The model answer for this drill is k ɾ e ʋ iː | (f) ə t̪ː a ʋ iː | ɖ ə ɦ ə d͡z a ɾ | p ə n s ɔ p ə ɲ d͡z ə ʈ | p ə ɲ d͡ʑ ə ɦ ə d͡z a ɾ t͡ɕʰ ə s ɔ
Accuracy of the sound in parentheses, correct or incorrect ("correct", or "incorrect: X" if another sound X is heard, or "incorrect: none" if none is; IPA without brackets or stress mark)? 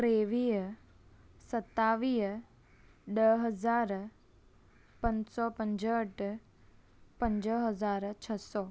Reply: incorrect: s